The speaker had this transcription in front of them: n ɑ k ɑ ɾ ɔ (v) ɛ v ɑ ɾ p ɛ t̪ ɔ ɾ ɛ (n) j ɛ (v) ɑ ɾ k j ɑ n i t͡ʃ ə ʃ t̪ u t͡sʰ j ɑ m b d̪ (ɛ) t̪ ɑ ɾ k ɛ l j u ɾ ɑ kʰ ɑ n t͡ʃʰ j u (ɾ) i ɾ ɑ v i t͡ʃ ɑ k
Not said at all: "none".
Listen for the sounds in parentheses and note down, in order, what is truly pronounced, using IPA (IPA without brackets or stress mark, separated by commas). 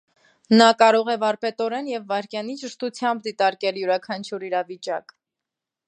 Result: ʁ, n, vː, i, ɾ